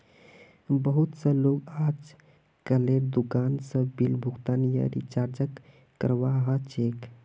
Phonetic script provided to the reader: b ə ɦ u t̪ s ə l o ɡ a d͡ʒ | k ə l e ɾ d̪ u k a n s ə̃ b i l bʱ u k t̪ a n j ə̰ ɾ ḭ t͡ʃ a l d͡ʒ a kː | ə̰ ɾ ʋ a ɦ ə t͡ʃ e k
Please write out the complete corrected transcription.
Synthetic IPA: b ə ɦ u t̪ s ə l o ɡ a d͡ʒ | k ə l e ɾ d̪ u k a n s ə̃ b i l bʱ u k t̪ a n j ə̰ ɾ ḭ t͡ʃ a ɾ d͡ʒ ə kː | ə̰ ɾ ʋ a ɦ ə t͡ʃ e k